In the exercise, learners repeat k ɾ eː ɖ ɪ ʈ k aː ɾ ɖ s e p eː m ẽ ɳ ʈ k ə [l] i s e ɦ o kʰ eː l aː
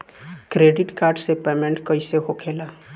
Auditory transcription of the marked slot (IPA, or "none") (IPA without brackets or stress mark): none